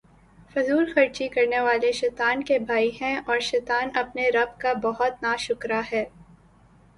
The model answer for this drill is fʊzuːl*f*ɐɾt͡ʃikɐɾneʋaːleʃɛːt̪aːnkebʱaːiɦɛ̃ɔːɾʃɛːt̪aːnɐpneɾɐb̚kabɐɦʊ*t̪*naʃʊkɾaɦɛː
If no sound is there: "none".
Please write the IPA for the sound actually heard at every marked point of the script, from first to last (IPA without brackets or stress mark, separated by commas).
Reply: x, t̪